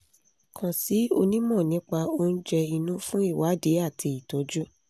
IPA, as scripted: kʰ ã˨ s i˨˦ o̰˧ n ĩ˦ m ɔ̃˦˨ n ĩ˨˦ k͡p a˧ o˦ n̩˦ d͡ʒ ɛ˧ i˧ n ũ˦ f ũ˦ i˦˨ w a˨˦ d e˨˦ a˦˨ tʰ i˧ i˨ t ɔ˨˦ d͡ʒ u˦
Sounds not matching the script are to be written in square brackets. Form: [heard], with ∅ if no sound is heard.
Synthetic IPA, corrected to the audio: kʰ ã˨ s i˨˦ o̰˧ n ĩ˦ m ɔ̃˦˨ n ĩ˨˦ k͡p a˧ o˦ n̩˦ d͡ʒ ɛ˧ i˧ n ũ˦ f ũ˦ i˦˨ w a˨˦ d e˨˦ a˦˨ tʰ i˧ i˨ t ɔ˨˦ d͡ʒ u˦